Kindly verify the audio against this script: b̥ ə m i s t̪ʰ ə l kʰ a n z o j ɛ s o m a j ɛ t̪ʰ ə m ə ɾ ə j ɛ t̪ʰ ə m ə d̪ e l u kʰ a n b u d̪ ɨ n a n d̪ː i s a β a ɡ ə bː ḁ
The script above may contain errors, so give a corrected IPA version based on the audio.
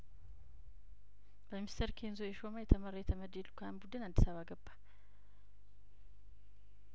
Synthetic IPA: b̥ ə m i s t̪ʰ ə ɾ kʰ e n z o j ɛ ʃ o m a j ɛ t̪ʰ ə m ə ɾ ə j ɛ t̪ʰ ə m ə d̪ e l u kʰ a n b u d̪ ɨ n a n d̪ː i s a β a ɡ ə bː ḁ

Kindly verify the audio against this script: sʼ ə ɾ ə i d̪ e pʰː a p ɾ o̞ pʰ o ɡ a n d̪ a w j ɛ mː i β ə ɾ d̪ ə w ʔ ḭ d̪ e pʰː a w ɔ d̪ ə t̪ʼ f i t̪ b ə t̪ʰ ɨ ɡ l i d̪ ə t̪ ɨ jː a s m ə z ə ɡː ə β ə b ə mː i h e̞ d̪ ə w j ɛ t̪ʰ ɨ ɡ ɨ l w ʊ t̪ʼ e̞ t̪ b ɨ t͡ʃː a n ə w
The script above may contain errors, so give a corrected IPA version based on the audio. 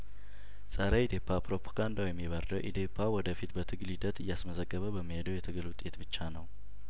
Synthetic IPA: sʼ ə ɾ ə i d̪ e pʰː a p ɾ o̞ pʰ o ɡ a n d̪ a w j ɛ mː i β ə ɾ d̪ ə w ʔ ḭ d̪ e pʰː a w ɔ d̪ ə f i t̪ b ə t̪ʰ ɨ ɡ l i d̪ ə t̪ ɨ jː a s m ə z ə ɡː ə β ə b ə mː i h e̞ d̪ ə w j ɛ t̪ʰ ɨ ɡ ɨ l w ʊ t̪ʼ e̞ t̪ b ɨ t͡ʃː a n ə w

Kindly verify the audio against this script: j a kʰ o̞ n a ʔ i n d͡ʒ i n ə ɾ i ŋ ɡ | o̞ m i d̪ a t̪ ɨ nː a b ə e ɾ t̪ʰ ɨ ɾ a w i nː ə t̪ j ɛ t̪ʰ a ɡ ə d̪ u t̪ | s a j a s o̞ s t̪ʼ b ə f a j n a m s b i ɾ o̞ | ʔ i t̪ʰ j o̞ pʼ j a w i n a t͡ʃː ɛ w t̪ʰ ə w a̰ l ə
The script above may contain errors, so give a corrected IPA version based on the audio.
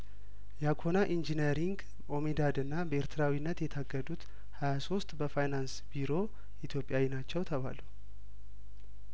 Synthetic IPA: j a kʰ o̞ n a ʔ i n d͡ʒ i n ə ɾ i ŋ ɡ | o̞ m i d̪ a d̪ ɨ nː a b ə e ɾ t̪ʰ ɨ ɾ a w i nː ə t̪ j ɛ t̪ʰ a ɡ ə d̪ u t̪ | h a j a s o̞ s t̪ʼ b ə f a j n a n s b i ɾ o̞ | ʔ i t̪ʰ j o̞ pʼ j a w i n a t͡ʃː ɛ w t̪ʰ ə β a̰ l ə

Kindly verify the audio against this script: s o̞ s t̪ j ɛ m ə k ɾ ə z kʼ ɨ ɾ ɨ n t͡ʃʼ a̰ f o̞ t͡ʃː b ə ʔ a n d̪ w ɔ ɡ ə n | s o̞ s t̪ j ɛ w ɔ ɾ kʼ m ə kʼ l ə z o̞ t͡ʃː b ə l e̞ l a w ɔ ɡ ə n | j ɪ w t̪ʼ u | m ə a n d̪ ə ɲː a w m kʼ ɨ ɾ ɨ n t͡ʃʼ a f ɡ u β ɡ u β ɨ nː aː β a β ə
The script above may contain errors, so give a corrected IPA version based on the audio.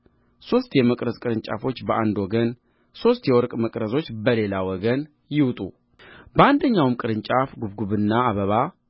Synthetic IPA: s o̞ s t̪ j ɛ m ə kʼ ɾ ə z kʼ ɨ ɾ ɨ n t͡ʃʼ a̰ f o̞ t͡ʃː b ə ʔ a n d̪ w ɔ ɡ ə n | s o̞ s t̪ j ɛ w ɔ ɾ kʼ m ə kʼ ɾ ə z o̞ t͡ʃː b ə l e̞ l a w ɔ ɡ ə n | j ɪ w t̪ʼ u | b ə a n d̪ ə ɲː a w m kʼ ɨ ɾ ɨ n t͡ʃʼ a f ɡ u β ɡ u β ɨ nː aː β ə β a

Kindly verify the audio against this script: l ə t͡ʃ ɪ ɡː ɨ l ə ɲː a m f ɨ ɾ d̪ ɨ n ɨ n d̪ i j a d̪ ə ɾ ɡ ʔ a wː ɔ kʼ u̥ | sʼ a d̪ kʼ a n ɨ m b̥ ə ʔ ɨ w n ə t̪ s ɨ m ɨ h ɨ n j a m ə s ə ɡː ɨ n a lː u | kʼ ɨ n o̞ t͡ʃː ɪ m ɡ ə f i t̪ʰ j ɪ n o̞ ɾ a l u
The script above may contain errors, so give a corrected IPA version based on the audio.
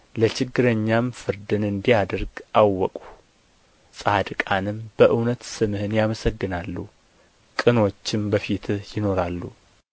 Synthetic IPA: l ə t͡ʃ ɪ ɡː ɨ ɾ ə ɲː a m f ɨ ɾ d̪ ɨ n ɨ n d̪ i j a d̪ ə ɾ ɡ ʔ a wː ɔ kʼ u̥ | sʼ a d̪ kʼ a n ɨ m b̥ ə ʔ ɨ w n ə t̪ s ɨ m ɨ h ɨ n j a m ə s ə ɡː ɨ n a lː u | kʼ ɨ n o̞ t͡ʃː ɪ m b ə f i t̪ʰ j ɪ n o̞ ɾ a lː u

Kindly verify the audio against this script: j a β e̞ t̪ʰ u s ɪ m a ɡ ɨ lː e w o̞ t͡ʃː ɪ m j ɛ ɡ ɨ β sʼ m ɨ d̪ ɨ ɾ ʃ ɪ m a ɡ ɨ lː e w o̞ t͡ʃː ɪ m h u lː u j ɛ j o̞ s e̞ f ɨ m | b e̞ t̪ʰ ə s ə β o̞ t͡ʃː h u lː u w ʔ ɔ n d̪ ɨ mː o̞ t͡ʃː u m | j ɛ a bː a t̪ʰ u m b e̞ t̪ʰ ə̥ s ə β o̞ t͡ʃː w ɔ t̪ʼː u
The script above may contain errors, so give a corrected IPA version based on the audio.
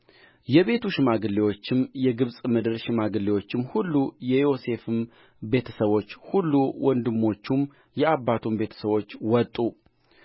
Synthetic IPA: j ɛ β e̞ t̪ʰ u ʃ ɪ m a ɡ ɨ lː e w o̞ t͡ʃː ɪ m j ɛ ɡ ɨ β sʼ m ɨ d̪ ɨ ɾ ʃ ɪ m a ɡ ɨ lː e w o̞ t͡ʃː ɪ m h u lː u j ɛ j o̞ s e̞ f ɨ m | b e̞ t̪ʰ ə s ə β o̞ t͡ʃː h u lː u w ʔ ɔ n d̪ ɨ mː o̞ t͡ʃː u m | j ɛ a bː a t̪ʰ u m b e̞ t̪ʰ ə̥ s ə β o̞ t͡ʃː w ɔ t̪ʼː u

